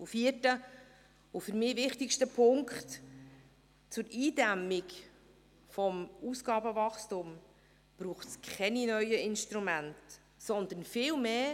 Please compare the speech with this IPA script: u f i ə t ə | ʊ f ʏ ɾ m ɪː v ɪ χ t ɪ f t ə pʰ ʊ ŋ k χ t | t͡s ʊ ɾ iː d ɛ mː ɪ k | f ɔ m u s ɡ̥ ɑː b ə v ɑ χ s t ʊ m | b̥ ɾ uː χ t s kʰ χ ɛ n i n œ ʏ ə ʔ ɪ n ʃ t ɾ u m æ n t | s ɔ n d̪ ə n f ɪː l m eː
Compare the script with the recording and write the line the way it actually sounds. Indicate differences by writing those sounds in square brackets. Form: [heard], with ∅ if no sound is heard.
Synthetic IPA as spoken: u f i ə t ə | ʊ f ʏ ɾ m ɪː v ɪ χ t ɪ [ʃ] t ə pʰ ʊ ŋ k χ t | t͡s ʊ ɾ iː d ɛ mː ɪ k | f ɔ m u s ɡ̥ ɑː b ə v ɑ χ s t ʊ m | b̥ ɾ uː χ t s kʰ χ ɛ n i n œ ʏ ə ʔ ɪ n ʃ t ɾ u m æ n t | s ɔ n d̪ ə n f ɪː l m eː